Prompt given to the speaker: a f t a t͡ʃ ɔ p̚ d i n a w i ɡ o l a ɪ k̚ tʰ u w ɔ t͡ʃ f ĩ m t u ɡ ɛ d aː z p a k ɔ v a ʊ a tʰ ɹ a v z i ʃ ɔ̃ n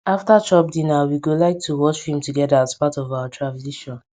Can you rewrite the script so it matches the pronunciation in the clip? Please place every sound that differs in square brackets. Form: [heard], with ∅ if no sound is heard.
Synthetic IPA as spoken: a f t a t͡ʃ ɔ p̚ d i n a w i ɡ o l a ɪ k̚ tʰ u w ɔ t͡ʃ [h] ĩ m t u ɡ ɛ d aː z p a [t] ɔ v a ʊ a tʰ ɹ a v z i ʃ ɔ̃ n